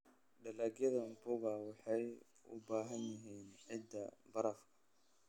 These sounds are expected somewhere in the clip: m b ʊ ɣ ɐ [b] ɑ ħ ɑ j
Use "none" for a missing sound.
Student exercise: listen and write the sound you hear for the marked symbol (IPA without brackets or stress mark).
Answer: w